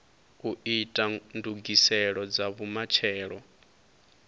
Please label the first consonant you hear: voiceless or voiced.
voiceless